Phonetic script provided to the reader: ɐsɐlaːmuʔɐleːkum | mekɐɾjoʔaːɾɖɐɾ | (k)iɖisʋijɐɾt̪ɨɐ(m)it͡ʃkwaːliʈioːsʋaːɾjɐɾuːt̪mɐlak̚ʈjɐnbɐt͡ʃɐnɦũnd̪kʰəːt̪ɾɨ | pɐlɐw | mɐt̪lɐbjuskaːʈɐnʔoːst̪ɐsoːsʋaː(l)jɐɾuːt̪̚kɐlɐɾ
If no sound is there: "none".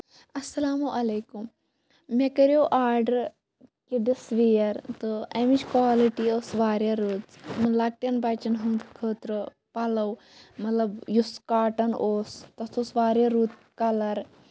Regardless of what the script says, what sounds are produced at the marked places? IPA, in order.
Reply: k, m, ɾ

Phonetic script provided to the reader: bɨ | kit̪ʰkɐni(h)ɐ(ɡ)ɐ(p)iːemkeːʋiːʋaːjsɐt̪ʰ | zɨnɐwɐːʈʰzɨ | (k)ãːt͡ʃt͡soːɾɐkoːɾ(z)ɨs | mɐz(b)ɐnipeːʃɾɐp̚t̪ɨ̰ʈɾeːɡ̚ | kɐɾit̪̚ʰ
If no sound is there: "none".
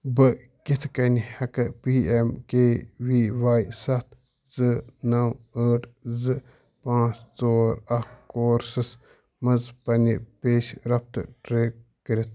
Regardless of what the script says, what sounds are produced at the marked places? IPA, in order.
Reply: h, k, p, p, s, p

